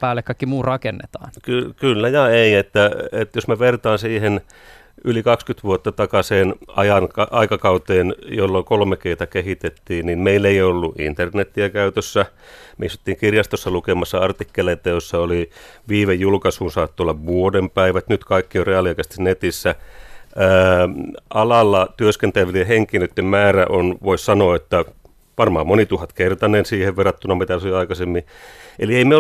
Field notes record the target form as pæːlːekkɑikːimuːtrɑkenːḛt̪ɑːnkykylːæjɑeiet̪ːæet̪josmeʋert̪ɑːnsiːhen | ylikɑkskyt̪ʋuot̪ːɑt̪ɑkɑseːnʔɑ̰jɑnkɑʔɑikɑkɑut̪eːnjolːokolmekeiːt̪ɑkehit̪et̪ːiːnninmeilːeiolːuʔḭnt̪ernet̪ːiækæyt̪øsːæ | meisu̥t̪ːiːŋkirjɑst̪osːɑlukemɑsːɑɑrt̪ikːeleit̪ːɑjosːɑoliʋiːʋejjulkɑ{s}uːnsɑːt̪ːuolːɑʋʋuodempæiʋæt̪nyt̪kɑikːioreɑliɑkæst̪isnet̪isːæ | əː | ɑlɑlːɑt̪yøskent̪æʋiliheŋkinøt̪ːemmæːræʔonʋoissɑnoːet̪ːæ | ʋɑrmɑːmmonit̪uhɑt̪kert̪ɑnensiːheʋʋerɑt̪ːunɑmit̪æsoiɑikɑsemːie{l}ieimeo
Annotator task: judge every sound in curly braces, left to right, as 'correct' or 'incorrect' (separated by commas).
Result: correct, correct